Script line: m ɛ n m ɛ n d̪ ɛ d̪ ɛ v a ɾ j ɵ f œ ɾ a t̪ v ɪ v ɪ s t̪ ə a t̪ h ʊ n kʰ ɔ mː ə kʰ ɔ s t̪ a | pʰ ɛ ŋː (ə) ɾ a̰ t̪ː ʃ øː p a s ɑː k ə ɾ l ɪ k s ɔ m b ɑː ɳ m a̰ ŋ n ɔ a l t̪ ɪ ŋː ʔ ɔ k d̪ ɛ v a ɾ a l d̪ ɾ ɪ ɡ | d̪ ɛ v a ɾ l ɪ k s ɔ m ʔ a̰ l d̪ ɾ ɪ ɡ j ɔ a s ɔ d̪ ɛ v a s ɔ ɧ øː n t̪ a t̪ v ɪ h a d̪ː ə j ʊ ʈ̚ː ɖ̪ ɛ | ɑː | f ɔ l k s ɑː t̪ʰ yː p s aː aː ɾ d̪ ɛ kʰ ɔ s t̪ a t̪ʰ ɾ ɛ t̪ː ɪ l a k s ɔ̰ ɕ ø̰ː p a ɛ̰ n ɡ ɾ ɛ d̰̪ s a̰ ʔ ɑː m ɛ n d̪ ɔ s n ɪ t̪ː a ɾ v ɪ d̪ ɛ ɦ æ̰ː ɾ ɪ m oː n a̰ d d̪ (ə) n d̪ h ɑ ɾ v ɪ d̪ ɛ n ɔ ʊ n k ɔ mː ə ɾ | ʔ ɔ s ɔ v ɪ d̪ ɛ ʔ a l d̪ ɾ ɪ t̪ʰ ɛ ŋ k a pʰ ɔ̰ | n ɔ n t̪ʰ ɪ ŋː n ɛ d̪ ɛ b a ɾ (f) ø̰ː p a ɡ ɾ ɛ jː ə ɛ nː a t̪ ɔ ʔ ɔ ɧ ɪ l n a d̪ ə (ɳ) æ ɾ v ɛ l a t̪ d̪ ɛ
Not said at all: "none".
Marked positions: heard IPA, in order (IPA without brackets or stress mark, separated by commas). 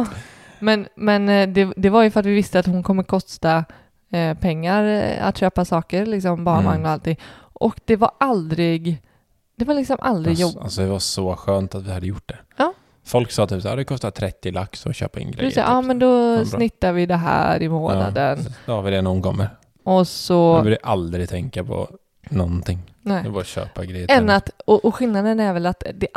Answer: a, ə, ɕ, n